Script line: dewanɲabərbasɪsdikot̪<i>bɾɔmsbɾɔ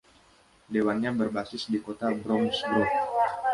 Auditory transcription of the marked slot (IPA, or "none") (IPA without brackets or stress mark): a